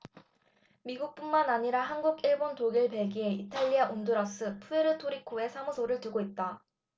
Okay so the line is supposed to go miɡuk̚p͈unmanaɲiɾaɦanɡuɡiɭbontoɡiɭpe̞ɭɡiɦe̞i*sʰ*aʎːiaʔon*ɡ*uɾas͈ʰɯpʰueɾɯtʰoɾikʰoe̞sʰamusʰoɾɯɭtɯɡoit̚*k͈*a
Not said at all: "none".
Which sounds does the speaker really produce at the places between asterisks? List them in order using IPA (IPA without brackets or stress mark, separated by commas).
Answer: tʰ, d, t͈